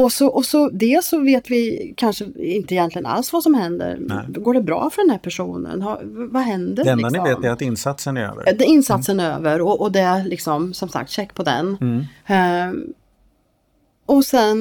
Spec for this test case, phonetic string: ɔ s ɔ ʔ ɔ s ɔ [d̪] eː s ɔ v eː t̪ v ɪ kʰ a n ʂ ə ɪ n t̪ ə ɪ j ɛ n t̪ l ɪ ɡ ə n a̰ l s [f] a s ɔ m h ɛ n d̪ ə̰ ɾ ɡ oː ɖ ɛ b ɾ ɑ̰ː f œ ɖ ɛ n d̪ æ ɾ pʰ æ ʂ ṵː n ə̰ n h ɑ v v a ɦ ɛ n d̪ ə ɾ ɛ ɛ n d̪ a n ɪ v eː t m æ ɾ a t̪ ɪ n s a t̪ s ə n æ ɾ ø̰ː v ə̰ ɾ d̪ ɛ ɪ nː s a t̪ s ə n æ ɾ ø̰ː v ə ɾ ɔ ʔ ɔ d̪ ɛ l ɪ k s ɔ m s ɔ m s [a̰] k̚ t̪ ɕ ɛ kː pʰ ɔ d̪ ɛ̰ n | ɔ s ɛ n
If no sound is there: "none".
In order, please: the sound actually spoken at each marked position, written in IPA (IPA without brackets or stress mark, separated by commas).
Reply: d̪, v, a̰